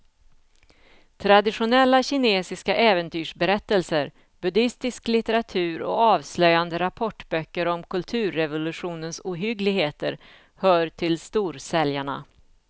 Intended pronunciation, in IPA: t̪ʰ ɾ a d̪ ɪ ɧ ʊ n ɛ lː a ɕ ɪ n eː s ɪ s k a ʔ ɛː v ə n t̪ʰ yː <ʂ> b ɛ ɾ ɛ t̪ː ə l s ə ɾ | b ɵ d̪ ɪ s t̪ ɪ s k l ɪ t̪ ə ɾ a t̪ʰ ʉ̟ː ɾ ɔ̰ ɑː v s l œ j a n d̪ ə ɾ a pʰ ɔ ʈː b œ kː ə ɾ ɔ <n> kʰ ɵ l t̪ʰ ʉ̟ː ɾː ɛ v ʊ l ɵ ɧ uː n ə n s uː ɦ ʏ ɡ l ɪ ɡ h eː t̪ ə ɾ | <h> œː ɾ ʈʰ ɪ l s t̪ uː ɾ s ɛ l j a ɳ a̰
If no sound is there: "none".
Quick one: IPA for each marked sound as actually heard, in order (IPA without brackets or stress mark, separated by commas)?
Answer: ʂ, m, h